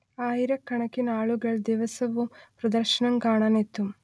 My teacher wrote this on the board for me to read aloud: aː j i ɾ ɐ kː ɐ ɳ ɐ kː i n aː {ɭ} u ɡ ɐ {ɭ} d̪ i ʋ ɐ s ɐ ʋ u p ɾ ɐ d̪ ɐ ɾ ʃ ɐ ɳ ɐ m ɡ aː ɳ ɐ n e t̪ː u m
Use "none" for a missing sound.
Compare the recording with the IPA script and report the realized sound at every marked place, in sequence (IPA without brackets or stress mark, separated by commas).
ɭ, ɭ